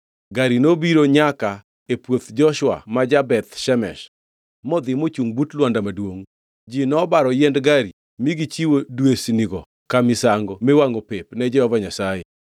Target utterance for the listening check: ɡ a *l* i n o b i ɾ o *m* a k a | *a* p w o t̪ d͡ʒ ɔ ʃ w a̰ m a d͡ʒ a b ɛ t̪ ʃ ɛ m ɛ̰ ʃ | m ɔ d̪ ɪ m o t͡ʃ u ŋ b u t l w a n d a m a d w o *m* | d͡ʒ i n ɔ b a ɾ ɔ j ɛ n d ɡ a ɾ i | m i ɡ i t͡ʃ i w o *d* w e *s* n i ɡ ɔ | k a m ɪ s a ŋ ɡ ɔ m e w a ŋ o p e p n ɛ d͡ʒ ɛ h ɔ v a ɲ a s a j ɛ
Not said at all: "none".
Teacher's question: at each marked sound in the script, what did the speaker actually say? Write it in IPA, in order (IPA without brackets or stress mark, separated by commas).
ɾ, ɲ, e, ŋ, d, s